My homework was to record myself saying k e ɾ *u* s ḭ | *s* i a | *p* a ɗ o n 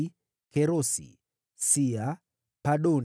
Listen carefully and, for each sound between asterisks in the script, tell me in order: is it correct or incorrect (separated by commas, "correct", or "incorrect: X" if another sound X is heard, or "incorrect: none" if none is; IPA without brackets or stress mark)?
incorrect: o, correct, correct